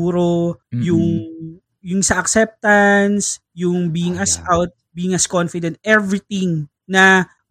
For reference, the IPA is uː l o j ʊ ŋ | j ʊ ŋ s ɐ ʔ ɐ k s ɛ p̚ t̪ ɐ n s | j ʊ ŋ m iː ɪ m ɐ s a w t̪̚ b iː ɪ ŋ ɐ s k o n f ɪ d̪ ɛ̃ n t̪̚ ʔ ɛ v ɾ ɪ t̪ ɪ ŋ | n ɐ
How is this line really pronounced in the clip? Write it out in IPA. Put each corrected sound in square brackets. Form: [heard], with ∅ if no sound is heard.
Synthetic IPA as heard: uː [ɾ] o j ʊ ŋ | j ʊ ŋ s ɐ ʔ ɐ k s ɛ p̚ t̪ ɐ n s | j ʊ ŋ [b] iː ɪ [ŋ] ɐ s a w t̪̚ b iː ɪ ŋ ɐ s k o n f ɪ d̪ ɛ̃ n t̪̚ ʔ ɛ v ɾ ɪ t̪ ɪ ŋ | n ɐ